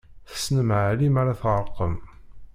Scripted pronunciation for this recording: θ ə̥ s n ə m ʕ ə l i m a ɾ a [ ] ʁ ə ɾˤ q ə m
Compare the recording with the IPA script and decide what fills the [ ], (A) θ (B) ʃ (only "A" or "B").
A